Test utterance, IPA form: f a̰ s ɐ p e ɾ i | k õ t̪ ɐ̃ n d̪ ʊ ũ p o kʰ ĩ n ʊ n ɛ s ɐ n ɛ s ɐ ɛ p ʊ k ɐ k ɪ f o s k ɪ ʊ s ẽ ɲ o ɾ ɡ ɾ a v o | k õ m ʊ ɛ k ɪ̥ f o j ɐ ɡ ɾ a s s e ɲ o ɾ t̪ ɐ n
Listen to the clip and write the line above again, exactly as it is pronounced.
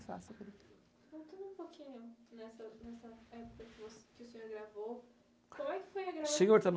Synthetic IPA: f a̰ s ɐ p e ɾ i | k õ t̪ ɐ̃ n d̪ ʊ ũ p o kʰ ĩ ɲ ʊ n ɛ s ɐ n ɛ s ɐ ɛ p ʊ k ɐ k ɪ v o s k ɪ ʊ s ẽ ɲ o ɾ ɡ ɾ a v o | k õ m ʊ ɛ k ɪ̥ f o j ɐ ɡ ɾ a s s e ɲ o ɾ t̪ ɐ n